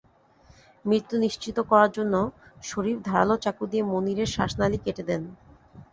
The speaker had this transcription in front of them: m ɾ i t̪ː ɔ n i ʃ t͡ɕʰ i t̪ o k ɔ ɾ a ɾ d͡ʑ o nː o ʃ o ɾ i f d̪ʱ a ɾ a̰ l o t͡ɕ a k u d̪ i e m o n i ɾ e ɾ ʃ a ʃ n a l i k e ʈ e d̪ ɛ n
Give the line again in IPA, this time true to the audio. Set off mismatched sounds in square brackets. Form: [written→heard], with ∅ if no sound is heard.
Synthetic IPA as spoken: m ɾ i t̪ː [ɔ→u] n i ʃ [t͡ɕʰ→t͡ɕ] i t̪ o k ɔ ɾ a ɾ d͡ʑ o nː o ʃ o ɾ i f d̪ʱ a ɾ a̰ l o t͡ɕ a k u d̪ i e m o n i ɾ e ɾ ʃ a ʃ n a l i k e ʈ e d̪ ɛ n